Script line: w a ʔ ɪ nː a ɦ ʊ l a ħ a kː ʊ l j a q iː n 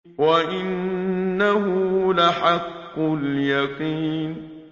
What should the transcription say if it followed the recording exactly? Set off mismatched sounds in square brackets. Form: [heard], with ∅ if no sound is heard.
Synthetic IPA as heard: w a ʔ ɪ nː a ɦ ʊ l a ħ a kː ʊ l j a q iː n